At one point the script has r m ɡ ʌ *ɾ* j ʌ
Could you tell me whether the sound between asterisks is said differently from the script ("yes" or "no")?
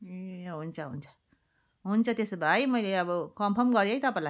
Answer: no